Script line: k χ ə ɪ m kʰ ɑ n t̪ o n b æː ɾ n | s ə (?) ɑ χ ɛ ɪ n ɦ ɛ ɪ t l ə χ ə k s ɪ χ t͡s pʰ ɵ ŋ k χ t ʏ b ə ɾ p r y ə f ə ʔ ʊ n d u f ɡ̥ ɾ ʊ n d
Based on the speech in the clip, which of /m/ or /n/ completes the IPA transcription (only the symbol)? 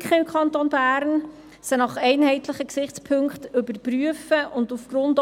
n